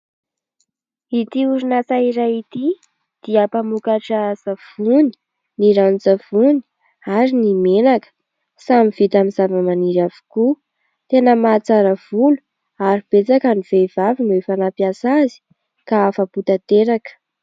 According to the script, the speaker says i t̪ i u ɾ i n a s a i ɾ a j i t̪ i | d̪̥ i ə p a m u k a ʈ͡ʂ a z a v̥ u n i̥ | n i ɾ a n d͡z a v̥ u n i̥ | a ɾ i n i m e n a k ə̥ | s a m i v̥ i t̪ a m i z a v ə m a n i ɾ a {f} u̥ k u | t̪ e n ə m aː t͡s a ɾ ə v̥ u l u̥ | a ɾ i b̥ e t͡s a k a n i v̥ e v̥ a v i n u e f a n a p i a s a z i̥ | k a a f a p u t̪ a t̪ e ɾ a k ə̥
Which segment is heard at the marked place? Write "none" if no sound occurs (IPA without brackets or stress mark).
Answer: v